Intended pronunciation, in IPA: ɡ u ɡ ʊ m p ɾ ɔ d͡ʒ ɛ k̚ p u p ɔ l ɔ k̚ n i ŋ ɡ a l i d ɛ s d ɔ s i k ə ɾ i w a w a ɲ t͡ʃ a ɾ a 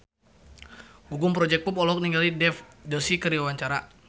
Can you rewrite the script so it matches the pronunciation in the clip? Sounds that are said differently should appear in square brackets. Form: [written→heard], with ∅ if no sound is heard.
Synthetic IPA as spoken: ɡ u ɡ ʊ m p ɾ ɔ d͡ʒ ɛ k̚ p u p ɔ l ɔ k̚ n i ŋ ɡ a l i d ɛ [s→f] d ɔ s i k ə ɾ i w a w a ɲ t͡ʃ a ɾ a